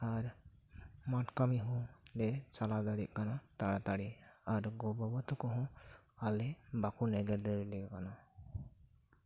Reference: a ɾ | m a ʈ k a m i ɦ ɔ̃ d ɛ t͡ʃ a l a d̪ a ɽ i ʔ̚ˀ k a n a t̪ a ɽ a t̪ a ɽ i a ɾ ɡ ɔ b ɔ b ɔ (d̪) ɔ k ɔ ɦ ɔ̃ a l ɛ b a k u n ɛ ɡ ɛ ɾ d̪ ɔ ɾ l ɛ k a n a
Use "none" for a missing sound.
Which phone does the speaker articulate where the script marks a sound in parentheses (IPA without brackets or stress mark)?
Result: t̪